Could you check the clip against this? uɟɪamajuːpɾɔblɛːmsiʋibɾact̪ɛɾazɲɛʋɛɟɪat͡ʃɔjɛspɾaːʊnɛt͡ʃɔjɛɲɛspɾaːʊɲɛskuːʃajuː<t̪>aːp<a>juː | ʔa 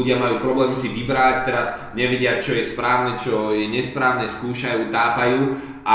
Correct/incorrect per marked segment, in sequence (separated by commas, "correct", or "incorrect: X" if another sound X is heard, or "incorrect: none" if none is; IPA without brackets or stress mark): correct, correct